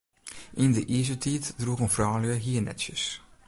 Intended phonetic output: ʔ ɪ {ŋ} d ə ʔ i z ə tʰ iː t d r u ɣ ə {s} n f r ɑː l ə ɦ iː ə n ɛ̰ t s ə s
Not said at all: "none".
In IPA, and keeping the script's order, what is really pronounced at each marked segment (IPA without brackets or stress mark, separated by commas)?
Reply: n, none